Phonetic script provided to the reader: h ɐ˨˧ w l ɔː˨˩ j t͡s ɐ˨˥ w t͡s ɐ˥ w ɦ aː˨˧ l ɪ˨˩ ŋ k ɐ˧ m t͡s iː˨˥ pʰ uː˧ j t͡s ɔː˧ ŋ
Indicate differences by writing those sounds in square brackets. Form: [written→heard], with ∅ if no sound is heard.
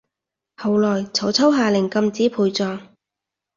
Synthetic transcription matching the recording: h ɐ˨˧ w l ɔː˨˩ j [t͡s→t͡sʰ] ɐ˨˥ w [t͡s→t͡sʰ] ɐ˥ w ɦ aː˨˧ l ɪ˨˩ ŋ k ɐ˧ m t͡s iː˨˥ pʰ uː˧ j t͡s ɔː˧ ŋ